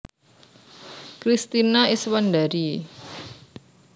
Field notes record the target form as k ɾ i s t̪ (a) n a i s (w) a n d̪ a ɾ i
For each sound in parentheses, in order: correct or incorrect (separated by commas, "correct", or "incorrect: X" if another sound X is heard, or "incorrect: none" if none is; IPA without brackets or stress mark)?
incorrect: i, correct